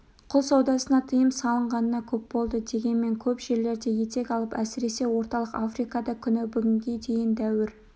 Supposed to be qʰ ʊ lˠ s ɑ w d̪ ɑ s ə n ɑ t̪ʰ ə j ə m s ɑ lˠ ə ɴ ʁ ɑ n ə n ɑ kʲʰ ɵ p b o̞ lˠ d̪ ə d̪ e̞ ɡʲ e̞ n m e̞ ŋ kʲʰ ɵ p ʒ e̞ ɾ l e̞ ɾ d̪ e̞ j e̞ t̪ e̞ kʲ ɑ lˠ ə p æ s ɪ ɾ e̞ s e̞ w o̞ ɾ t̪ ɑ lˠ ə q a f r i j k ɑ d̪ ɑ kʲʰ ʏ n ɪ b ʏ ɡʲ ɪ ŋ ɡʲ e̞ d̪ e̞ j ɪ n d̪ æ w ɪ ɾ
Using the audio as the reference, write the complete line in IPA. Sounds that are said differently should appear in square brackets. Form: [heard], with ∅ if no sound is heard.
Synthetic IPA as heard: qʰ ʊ lˠ s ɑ w d̪ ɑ s ə n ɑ t̪ʰ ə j ə m s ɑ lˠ ə ɴ ʁ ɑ n ə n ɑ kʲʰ ɵ p b o̞ lˠ d̪ ə d̪ e̞ ɡʲ e̞ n m e̞ ŋ kʲʰ ɵ p ʒ e̞ ɾ l e̞ ɾ d̪ e̞ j e̞ t̪ e̞ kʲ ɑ lˠ ə p æ s ɪ ɾ e̞ s e̞ w o̞ ɾ t̪ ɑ lˠ ə q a f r i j k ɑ d̪ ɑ kʲʰ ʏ n ɪ b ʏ ɡʲ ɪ ŋ ɡʲ e̞ d̪ e̞ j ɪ n d̪ æ w ɪ ɾ